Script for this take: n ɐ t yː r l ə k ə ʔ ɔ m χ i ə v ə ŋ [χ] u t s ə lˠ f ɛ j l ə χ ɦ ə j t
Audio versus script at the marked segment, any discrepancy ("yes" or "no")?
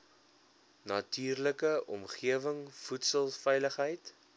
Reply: yes